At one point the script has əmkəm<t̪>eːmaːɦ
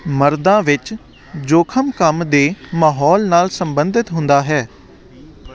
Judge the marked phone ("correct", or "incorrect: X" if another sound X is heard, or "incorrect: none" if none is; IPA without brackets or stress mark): incorrect: d̪